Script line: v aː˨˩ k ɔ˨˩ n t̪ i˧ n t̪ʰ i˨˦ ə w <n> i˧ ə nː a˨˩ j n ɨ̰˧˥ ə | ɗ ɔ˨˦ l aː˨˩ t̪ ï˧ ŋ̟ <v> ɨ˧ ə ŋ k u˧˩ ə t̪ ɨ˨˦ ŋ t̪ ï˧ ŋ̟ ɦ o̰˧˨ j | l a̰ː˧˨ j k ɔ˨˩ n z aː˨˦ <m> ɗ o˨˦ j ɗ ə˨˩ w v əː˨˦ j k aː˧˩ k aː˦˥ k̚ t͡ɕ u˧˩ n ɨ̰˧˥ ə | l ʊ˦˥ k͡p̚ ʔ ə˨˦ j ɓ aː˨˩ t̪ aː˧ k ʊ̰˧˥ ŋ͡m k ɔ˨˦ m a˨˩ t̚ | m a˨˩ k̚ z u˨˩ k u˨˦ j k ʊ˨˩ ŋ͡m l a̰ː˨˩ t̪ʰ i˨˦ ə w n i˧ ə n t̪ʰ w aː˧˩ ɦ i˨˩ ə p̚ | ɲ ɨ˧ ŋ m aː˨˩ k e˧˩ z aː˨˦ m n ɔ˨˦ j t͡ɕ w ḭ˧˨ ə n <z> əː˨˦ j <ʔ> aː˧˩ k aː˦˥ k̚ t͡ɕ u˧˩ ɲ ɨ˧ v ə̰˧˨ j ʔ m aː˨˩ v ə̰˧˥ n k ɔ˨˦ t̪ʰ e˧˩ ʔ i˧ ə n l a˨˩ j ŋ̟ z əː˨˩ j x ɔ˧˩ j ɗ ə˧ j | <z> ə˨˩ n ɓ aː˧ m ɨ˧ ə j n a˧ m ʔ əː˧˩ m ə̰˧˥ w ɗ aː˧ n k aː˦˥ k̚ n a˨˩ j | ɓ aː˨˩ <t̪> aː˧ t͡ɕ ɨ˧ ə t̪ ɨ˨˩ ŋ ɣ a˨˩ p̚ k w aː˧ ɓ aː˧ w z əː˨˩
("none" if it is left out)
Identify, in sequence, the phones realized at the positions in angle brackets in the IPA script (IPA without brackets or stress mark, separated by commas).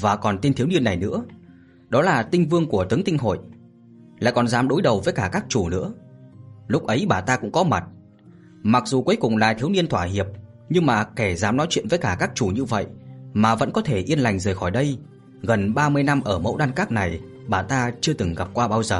n, v, m, v, k, ɣ, t̪